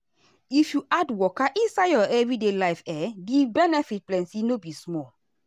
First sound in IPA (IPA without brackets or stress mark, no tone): i